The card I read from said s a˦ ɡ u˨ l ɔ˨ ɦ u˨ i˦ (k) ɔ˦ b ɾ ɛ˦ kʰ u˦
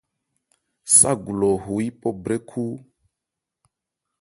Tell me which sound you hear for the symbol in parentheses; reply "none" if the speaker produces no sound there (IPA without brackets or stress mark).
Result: p